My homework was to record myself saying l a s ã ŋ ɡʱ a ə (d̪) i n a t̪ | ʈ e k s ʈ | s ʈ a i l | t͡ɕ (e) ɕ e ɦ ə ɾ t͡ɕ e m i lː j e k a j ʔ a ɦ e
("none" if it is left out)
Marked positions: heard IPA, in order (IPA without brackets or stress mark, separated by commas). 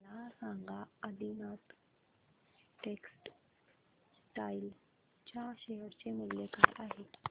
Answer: d̪, a